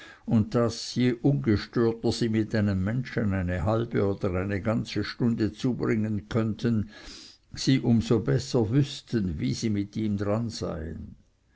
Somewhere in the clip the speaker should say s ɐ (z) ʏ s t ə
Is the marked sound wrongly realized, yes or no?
yes